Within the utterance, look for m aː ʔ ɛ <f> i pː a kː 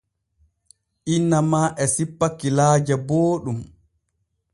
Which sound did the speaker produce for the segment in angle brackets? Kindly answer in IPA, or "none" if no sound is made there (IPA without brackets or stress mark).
s